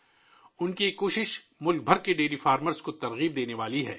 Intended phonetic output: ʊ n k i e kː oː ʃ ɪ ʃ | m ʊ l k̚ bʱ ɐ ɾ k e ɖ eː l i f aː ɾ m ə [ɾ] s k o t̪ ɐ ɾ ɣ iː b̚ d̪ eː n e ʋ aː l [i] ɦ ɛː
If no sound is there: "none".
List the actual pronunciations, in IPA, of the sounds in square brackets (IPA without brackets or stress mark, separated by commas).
ɾ, i